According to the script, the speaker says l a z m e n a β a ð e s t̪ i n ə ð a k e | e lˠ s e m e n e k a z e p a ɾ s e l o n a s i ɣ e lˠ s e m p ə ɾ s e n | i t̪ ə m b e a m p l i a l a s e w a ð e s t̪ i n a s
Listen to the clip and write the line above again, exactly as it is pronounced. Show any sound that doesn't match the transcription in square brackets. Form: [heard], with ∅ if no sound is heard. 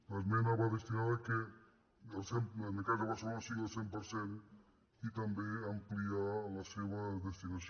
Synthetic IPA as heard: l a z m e n a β a ð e s t̪ i n [a] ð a k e | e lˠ s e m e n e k a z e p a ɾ s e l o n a s i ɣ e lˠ s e m p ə ɾ s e n | i t̪ [a] m b e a m p l i a l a s e [β] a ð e s t̪ i n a s